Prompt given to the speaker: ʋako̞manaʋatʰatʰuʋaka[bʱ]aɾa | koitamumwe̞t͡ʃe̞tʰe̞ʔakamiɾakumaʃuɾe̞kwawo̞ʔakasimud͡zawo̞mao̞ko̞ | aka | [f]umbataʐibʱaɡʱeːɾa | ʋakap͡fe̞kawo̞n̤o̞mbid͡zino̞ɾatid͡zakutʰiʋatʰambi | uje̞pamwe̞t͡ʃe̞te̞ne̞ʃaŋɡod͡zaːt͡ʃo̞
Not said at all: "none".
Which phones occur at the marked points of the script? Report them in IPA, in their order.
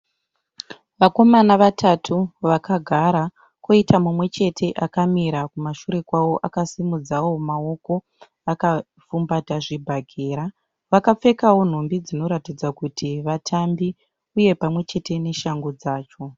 ɡʱ, f

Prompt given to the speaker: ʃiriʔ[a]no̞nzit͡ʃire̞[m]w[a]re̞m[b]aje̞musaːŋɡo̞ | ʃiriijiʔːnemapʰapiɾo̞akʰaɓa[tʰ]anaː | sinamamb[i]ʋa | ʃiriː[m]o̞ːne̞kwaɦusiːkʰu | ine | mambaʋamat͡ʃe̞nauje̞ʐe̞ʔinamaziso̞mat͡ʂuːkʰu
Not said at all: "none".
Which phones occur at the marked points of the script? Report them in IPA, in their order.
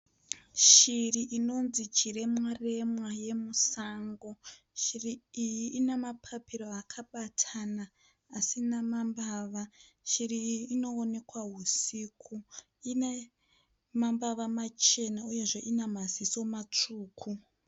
i, m, a, w, tʰ, a, n

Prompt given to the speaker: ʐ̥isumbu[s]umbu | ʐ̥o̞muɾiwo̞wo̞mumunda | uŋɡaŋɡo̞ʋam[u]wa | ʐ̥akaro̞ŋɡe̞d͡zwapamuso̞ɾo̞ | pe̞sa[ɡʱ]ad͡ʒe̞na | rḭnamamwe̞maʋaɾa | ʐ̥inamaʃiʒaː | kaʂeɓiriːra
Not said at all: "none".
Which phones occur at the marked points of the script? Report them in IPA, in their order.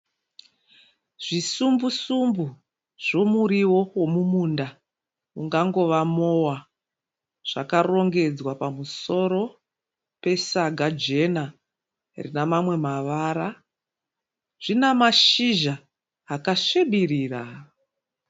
s, o, ɡʱ

